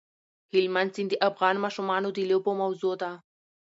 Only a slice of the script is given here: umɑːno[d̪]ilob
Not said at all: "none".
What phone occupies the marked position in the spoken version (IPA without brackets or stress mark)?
d̪